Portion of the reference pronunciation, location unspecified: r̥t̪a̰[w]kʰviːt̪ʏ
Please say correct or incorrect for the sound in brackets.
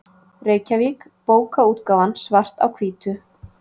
correct